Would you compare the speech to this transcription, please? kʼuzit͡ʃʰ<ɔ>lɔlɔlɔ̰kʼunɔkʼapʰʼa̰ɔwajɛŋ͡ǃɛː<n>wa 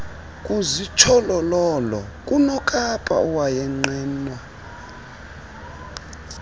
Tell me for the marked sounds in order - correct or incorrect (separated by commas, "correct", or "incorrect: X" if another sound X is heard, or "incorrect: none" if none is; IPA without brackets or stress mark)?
correct, correct